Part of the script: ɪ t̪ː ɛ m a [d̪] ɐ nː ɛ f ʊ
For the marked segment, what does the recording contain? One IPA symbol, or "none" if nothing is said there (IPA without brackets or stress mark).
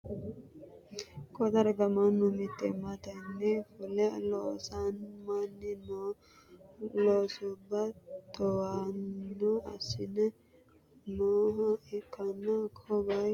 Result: t̪